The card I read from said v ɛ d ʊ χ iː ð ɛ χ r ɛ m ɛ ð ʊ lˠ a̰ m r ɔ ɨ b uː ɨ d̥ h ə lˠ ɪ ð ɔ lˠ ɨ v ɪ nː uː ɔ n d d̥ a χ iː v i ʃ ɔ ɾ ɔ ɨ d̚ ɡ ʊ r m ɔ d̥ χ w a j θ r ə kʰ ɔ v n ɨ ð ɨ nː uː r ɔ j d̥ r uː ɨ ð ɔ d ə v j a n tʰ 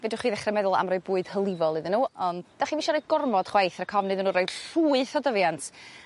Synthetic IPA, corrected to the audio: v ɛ d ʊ χ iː ð ɛ χ r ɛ m ɛ ð ʊ lˠ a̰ m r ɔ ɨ b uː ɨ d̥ h ə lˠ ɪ v ɔ lˠ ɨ ð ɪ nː uː ɔ n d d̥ a χ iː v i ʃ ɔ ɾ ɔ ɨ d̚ ɡ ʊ r m ɔ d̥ χ w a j θ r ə kʰ ɔ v n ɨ ð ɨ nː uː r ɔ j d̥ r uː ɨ θ ɔ d ə v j a n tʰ